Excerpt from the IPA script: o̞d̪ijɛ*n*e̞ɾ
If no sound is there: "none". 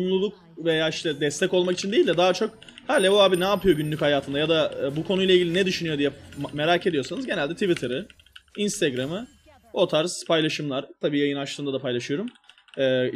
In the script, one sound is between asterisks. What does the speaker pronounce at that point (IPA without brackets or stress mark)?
m